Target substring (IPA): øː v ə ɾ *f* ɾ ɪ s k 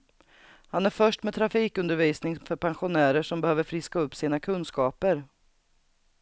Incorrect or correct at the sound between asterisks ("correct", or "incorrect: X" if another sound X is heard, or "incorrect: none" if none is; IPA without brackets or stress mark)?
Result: correct